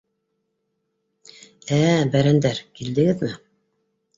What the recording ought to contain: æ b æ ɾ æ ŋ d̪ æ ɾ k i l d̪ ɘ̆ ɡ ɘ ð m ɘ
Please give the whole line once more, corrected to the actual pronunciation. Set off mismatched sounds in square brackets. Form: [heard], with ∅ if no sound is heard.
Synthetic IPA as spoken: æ b æ ɾ æ [n] d̪ æ ɾ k i l d̪ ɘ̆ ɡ ɘ ð m ɘ